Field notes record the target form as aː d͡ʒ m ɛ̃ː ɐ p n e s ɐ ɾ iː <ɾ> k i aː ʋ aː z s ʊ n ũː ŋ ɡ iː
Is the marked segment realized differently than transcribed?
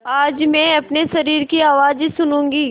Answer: no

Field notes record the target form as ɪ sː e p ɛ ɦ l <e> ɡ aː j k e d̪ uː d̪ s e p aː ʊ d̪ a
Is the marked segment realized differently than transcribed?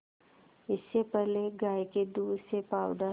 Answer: no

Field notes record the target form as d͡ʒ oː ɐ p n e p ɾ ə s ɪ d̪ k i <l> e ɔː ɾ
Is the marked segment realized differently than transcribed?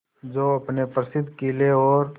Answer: no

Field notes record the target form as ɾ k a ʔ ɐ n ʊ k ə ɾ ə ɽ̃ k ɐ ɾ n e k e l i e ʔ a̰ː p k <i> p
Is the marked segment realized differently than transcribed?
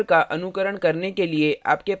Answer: yes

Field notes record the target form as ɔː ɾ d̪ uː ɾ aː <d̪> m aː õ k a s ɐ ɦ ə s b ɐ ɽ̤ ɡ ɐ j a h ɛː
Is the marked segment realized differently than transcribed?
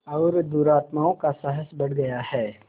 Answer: yes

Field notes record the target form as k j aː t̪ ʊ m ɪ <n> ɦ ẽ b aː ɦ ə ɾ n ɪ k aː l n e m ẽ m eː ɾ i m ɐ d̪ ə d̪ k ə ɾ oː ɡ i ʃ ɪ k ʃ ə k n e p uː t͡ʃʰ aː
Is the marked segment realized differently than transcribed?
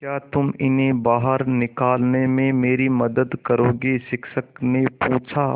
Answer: no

